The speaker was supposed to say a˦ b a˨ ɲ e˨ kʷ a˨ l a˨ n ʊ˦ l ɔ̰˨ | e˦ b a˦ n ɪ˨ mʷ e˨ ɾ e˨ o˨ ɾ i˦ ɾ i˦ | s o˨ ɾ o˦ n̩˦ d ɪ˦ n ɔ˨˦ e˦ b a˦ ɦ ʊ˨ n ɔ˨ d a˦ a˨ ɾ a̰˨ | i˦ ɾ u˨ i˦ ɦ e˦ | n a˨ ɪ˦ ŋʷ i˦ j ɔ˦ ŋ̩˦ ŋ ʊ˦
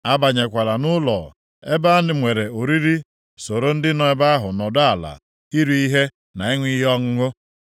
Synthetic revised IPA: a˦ b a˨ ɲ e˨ kʷ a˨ l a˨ n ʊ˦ l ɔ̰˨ | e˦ b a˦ n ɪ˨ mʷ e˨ ɾ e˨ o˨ ɾ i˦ ɾ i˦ | s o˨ ɾ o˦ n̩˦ d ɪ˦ n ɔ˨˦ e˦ b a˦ ɦ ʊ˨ n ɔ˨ d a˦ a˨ l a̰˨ | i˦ ɾ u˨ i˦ ɦ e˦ | n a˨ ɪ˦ ŋʷ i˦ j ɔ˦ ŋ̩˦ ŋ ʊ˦